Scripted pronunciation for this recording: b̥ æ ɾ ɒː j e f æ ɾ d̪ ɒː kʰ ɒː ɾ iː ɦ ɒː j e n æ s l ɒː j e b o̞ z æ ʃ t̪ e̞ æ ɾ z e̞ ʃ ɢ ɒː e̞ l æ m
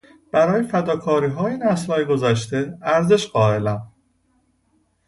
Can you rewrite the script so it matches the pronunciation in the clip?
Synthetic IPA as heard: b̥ æ ɾ ɒː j e f æ d̪ ɒː kʰ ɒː ɾ iː ɦ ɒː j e n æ s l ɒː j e ɡ o̞ z æ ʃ t̪ e̞ æ ɾ z e̞ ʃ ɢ ɒː e̞ l æ m